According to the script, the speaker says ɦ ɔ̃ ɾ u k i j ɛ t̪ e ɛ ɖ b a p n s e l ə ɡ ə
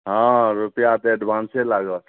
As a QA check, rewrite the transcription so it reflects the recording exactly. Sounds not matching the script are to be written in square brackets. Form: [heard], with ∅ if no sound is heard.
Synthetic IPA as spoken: ɦ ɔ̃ ɾ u [p] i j [a] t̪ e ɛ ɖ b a [∅] n s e l [a] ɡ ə